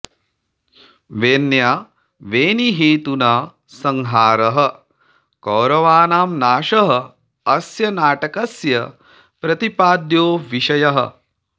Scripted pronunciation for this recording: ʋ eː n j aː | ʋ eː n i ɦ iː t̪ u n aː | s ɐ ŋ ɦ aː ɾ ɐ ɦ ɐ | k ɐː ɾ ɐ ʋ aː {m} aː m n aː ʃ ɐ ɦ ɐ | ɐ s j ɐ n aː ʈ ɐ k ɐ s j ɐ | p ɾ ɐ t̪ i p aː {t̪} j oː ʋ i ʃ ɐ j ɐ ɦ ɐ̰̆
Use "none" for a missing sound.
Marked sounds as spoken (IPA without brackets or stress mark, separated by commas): n, d̪